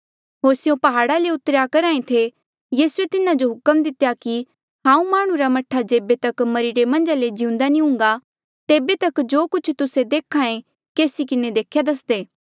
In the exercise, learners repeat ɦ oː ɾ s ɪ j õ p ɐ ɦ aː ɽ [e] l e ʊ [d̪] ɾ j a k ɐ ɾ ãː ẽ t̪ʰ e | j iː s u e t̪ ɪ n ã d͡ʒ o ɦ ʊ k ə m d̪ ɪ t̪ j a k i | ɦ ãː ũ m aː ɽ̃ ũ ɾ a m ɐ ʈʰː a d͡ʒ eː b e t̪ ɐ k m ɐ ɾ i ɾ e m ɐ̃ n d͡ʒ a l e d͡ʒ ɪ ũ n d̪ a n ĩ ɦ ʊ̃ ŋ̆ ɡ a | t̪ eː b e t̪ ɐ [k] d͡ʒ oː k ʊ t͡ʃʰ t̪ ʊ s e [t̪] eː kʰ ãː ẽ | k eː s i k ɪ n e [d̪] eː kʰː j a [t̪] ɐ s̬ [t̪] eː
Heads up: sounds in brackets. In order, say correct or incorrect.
incorrect: a, incorrect: t̪, correct, incorrect: d̪, correct, incorrect: d̪, incorrect: d̪

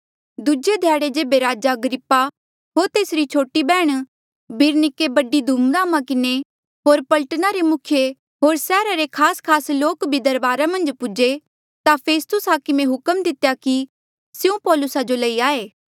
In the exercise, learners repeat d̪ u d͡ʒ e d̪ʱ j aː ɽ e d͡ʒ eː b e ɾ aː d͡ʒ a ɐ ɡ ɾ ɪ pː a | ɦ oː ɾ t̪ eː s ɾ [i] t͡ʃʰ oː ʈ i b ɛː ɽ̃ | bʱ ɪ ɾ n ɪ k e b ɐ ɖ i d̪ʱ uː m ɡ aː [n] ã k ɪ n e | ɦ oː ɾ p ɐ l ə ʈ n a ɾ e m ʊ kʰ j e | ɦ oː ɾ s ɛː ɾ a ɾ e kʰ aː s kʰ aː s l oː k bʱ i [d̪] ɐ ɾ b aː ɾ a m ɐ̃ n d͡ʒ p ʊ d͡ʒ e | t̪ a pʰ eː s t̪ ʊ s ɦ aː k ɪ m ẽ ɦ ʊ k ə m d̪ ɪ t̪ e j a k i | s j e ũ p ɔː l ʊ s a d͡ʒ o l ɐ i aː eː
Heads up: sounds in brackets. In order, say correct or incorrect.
correct, incorrect: m, correct

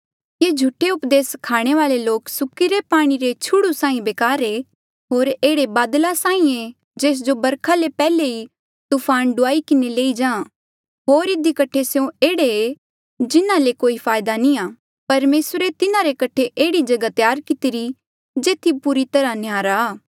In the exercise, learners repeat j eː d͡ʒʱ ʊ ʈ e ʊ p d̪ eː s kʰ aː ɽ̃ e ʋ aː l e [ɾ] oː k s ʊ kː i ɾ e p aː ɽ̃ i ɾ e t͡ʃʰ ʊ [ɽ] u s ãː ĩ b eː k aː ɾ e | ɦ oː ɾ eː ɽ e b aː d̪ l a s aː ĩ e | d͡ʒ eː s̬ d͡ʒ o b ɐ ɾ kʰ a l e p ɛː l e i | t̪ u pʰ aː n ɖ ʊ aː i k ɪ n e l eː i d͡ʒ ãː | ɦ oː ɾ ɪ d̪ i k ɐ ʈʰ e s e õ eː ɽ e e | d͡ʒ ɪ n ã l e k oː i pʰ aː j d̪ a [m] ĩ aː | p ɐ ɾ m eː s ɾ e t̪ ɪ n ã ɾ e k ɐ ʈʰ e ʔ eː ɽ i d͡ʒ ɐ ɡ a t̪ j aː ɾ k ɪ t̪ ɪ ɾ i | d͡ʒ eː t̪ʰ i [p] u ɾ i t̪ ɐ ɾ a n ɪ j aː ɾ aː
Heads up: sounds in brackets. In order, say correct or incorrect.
incorrect: l, correct, incorrect: n, correct

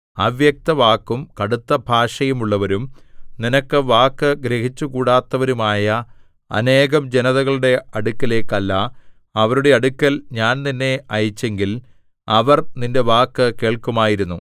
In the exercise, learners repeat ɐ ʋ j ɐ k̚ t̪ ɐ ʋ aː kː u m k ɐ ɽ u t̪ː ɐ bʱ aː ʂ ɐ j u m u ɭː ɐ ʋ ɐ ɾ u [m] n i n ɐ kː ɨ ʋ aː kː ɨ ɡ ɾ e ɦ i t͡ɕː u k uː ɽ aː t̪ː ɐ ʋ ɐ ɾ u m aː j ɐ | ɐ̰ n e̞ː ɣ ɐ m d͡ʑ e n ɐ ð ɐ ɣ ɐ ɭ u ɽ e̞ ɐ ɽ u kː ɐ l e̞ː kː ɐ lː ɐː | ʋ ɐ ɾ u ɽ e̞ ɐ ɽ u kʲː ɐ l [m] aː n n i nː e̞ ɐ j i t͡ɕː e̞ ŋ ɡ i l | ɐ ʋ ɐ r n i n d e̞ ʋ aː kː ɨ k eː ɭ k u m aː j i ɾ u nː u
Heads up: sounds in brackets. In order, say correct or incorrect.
correct, incorrect: ɲ

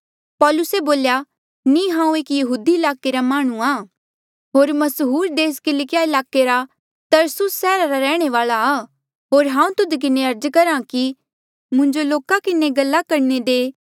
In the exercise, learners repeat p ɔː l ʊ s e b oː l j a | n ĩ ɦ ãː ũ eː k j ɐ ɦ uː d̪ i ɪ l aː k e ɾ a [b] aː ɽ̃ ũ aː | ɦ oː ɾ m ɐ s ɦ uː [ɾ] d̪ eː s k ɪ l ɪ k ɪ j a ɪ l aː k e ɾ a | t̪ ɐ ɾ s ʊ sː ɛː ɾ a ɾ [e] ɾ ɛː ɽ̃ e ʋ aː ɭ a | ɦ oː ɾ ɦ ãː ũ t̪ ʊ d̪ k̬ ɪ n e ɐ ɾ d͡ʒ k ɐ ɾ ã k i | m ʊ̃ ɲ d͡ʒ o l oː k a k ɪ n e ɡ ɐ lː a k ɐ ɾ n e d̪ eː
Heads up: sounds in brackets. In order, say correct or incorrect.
incorrect: m, correct, incorrect: a

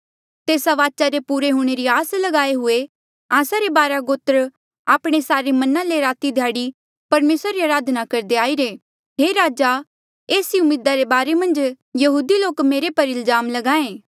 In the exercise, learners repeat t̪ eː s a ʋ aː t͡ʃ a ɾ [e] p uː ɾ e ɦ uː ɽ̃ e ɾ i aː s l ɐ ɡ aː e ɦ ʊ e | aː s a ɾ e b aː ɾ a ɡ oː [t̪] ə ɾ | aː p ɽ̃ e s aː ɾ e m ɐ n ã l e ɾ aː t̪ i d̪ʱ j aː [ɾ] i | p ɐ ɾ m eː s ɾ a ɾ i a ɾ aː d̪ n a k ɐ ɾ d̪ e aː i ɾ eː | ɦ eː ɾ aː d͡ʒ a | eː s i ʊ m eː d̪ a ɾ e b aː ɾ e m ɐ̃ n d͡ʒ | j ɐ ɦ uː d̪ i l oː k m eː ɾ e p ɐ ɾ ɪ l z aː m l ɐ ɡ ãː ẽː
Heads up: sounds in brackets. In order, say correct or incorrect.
correct, correct, incorrect: ɽ

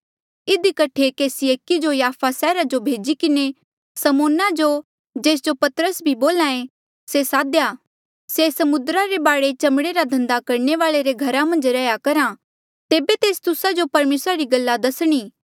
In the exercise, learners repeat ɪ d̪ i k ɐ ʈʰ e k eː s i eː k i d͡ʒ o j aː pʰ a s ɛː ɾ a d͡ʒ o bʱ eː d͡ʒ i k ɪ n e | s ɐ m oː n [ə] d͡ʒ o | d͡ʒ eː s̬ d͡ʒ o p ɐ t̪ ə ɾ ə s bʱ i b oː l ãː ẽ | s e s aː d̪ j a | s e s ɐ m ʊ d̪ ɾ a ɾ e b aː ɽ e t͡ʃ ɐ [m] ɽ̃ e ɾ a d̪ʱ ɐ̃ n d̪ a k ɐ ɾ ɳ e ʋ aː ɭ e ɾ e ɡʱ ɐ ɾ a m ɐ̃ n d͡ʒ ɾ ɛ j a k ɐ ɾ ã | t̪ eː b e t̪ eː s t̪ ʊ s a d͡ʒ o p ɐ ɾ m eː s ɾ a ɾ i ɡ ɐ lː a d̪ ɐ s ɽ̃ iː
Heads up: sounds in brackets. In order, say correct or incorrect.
incorrect: a, correct

